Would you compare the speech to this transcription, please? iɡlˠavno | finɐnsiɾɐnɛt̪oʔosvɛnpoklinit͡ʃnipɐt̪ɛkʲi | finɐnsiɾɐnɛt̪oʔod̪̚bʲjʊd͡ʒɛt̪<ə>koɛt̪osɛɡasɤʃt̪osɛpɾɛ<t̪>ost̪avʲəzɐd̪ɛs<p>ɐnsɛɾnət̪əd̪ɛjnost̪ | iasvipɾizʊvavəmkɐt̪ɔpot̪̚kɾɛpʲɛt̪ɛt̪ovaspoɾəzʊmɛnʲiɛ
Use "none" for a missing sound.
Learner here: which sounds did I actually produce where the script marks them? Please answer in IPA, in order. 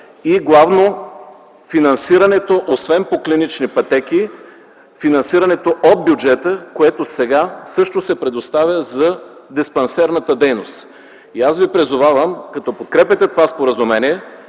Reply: ə, d̪, p

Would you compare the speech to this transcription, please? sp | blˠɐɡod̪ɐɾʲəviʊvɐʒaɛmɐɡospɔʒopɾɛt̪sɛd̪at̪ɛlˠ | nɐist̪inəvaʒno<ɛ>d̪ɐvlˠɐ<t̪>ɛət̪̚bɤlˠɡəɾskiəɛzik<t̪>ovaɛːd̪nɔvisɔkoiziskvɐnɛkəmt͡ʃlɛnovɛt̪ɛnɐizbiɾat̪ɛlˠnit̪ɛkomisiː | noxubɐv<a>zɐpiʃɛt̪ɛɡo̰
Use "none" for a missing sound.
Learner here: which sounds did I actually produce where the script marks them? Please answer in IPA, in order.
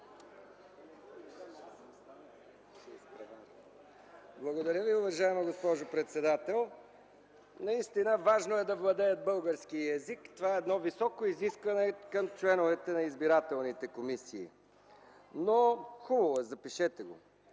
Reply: ɛ, d̪, t̪, ɛ

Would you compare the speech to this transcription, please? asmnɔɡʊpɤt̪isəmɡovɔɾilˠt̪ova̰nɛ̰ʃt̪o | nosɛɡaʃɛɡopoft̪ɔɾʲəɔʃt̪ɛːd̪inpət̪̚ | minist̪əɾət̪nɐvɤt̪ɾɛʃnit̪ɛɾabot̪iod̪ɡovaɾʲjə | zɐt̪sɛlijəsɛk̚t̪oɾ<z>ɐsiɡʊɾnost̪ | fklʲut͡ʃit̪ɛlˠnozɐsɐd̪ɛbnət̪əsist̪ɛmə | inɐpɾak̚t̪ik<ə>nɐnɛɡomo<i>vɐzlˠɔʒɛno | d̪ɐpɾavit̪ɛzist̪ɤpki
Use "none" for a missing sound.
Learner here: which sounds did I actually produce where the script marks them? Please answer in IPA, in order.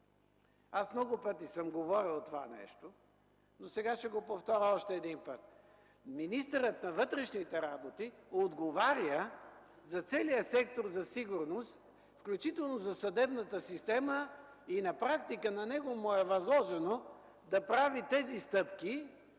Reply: z, ə, ɛ

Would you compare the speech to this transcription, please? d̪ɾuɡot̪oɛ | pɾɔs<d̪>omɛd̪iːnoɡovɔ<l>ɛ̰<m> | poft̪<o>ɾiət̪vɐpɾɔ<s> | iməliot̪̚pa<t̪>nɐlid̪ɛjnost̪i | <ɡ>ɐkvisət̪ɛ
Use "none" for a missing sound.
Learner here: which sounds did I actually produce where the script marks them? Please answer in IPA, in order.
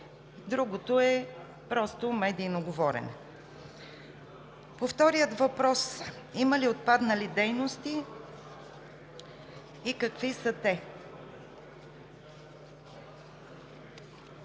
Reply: t̪, ɾ, n, ɔ, s, d̪, k

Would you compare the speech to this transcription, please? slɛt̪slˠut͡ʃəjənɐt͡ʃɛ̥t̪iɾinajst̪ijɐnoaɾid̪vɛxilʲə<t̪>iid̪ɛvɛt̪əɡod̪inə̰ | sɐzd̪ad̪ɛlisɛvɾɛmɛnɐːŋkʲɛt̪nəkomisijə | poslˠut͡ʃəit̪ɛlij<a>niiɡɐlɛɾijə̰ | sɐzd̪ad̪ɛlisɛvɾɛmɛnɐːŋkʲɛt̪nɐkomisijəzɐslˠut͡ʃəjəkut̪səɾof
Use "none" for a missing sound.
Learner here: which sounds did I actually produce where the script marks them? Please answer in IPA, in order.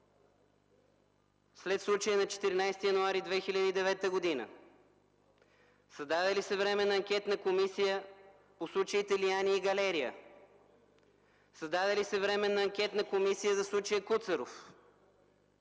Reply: d̪, a

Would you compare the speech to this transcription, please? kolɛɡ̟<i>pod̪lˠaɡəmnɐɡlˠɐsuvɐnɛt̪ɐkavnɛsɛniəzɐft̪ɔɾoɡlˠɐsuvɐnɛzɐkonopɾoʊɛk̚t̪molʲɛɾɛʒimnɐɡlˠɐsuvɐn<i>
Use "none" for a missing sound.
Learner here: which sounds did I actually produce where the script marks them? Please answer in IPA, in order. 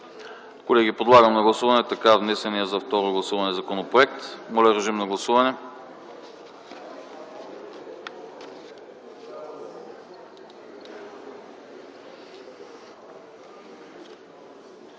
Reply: i, ɛ

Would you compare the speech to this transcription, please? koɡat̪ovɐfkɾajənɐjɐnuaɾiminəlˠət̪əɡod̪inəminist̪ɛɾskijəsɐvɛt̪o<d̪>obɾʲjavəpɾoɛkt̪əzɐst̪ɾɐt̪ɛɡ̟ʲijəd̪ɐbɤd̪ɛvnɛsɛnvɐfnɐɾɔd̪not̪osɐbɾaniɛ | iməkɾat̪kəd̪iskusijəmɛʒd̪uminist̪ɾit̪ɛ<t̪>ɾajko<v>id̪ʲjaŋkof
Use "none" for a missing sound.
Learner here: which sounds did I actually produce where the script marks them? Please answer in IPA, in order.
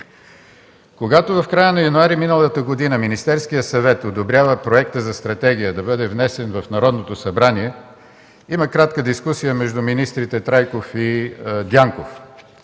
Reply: d̪, t̪, f

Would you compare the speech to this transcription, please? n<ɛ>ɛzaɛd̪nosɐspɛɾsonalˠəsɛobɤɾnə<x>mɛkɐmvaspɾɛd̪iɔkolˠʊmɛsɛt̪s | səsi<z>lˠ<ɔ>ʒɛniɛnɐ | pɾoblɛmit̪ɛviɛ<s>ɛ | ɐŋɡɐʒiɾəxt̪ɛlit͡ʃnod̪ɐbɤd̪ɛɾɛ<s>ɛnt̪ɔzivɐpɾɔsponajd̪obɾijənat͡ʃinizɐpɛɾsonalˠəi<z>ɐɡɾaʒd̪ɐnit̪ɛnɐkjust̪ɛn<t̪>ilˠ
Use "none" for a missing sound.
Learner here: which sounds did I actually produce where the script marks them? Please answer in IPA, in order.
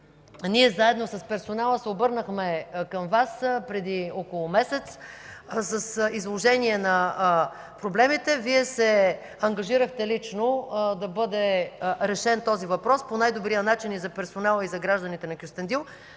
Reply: i, x, z, o, s, ʃ, z, d̪

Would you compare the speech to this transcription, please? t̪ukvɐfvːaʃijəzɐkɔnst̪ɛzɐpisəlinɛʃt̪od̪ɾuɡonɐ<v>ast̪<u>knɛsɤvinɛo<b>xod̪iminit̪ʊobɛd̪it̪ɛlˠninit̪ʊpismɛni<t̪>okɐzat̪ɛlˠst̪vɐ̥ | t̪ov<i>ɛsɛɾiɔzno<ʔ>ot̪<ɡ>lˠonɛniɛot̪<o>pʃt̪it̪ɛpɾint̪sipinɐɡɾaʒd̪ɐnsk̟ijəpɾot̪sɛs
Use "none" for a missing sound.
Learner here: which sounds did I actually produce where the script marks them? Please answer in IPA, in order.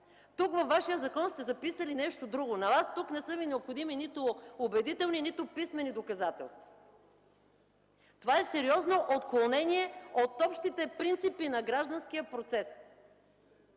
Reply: v, u, p, d̪, a, ʔ, k, ɔ

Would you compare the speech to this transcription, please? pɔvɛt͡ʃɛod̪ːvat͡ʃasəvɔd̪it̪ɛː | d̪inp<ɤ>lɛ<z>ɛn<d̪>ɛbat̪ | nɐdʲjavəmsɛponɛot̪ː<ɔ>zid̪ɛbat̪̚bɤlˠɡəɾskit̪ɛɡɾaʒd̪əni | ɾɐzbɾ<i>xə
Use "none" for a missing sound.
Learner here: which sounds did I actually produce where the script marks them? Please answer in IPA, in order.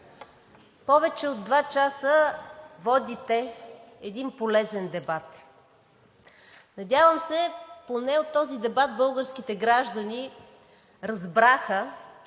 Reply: o, z, d̪, ɔ, a

